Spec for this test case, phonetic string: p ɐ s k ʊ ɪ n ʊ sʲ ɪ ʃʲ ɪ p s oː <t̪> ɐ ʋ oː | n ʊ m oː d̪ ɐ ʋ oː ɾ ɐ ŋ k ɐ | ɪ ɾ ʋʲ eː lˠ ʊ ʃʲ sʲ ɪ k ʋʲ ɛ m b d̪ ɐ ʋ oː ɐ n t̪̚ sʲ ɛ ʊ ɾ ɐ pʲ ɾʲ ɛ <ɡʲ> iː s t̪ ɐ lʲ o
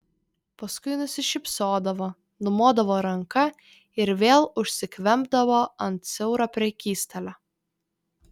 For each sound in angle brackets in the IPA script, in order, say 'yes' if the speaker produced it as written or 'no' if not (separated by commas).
no, no